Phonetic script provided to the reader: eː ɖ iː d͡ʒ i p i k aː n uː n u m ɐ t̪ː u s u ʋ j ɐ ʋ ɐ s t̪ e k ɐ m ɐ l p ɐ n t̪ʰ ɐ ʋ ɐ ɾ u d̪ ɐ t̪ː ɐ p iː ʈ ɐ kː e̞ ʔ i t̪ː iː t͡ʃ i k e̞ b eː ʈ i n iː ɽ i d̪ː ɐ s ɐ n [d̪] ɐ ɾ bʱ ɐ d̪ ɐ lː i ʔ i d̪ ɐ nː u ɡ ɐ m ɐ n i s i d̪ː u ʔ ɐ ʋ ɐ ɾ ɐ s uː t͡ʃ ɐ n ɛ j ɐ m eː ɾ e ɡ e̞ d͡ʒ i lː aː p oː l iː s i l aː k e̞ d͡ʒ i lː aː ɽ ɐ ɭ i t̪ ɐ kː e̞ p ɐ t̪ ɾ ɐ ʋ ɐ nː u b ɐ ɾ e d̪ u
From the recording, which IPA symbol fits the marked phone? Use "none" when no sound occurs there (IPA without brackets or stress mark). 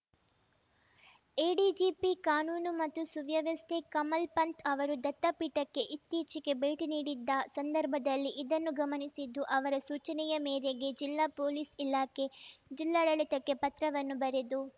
d̪